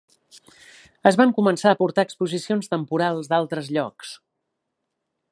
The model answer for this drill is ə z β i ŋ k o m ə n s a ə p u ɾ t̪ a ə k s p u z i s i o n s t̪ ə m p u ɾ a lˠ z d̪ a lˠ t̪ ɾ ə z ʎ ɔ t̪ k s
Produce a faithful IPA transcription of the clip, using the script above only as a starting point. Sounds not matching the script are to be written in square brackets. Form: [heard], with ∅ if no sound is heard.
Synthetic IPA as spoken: ə z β [a] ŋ k [u] m ə n s a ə p u ɾ t̪ a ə k s p u z i s i o n s t̪ ə m p u ɾ a lˠ z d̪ a lˠ t̪ ɾ ə z ʎ ɔ [∅] k s